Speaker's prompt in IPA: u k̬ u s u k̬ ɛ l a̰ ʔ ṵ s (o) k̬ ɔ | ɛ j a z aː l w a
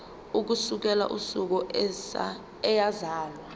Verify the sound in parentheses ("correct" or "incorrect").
incorrect